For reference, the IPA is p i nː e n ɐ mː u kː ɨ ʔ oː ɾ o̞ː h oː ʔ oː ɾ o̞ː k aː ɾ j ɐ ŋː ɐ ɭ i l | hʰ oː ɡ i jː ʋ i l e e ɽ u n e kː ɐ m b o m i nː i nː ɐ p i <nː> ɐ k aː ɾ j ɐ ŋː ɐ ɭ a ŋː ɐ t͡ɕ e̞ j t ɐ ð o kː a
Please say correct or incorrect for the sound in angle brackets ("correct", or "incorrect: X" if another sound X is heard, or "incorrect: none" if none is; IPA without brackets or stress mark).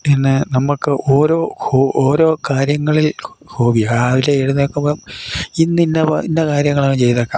correct